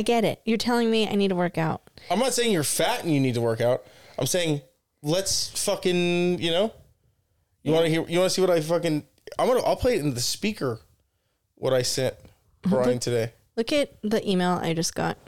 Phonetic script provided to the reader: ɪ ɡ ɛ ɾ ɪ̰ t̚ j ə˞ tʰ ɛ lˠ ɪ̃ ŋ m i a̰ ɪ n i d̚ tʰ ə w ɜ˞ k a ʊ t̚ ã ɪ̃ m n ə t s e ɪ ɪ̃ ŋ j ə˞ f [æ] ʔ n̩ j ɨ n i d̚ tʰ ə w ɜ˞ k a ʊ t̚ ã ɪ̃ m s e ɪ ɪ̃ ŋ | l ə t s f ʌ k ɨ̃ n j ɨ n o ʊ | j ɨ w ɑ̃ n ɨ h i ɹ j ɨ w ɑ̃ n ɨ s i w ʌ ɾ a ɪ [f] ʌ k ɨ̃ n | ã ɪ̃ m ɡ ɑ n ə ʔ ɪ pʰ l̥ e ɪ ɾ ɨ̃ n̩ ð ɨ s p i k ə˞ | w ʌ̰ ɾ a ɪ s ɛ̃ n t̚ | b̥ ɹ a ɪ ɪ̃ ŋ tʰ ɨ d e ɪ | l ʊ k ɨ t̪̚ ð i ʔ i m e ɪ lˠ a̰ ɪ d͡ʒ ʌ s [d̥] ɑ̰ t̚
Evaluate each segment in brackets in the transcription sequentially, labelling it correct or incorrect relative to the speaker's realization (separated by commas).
correct, correct, incorrect